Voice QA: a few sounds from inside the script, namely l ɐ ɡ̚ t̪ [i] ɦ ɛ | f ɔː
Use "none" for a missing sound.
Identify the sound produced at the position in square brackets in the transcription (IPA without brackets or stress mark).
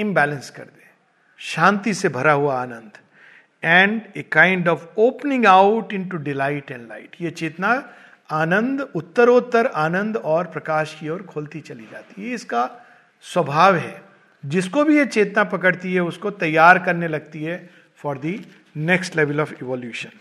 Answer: i